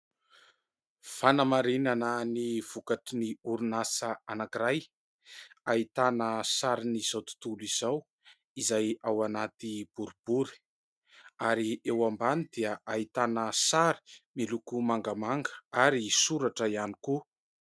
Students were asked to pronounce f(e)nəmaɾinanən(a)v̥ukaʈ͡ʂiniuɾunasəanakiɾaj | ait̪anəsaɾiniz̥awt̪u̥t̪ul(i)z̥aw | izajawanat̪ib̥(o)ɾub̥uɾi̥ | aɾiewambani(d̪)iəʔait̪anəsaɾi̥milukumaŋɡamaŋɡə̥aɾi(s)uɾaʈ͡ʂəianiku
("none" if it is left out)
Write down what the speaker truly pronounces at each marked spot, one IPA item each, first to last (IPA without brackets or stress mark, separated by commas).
a, i, i, u, d̪, s